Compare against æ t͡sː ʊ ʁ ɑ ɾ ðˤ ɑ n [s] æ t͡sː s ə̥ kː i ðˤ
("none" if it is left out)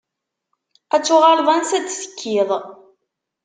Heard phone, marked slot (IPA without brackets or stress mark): s